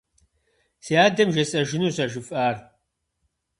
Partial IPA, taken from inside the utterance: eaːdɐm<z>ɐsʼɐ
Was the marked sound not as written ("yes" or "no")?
yes